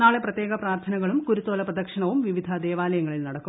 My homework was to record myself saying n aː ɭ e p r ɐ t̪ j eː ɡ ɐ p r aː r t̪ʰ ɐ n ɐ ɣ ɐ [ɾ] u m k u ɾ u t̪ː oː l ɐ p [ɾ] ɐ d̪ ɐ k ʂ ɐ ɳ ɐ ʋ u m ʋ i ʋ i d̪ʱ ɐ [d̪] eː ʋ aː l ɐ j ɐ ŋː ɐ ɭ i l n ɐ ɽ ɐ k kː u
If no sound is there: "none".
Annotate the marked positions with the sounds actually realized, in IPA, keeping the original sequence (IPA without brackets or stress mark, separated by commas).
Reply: ɭ, r, d̪